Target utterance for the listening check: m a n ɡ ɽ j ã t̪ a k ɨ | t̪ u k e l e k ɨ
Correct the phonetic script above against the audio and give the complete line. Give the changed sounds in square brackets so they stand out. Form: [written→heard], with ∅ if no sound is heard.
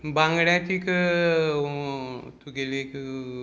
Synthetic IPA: [m→b] a [n→ŋ] ɡ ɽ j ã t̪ [a→i] k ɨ | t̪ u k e l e k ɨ